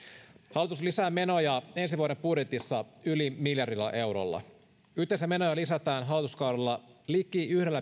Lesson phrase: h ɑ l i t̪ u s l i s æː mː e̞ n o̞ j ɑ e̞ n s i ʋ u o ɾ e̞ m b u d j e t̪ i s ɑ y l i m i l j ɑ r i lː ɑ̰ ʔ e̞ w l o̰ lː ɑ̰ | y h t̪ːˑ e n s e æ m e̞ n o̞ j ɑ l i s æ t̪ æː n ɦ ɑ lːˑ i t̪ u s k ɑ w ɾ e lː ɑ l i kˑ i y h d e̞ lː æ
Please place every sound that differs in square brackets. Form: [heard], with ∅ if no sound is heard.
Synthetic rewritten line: h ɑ l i t̪ u s l i s æː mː e̞ n o̞ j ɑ e̞ n s i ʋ u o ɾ e̞ m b u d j e t̪ i [sː] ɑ y l i m i l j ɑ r i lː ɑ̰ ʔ e̞ w [ɾ] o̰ lː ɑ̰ | y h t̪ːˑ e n s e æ m e̞ n o̞ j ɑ l i s æ t̪ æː n ɦ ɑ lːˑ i t̪ u s k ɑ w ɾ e lː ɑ l i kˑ i y h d e̞ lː æ